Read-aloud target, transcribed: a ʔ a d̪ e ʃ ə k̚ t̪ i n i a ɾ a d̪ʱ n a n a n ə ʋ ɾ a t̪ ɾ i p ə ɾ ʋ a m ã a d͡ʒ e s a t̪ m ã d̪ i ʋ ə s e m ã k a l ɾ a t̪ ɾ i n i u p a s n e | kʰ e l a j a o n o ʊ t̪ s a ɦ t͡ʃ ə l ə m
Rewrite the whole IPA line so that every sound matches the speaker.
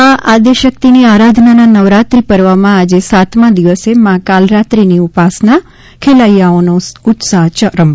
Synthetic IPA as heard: a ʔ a d̪ e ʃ ə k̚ t̪ i n i a ɾ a d̪ʱ n a n a n ə ʋ ɾ a t̪ ɾ i p ə ɾ ʋ a m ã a d͡ʒ e s a t̪ m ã d̪ i ʋ ə s e m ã k a l ɾ a t̪ ɾ i n i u p a s n a | kʰ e l a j a o n o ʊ t̪ s a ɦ t͡ʃ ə ɾ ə m